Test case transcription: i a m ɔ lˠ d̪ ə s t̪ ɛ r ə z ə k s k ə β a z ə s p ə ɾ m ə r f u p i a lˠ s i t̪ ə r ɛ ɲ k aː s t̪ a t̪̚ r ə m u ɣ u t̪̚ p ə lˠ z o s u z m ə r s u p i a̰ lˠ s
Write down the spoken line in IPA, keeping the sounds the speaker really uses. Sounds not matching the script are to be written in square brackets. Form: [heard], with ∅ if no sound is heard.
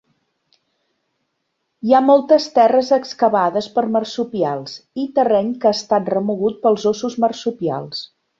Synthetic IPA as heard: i a m ɔ lˠ [t̪] ə s t̪ ɛ r ə z ə k s k ə β a [ð] ə s p ə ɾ m ə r [s] u p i a lˠ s i t̪ ə r ɛ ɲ k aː s t̪ a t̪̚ r ə m u ɣ u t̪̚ p ə lˠ z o s u z m ə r s u p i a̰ lˠ s